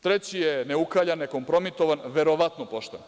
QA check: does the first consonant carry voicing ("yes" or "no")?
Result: no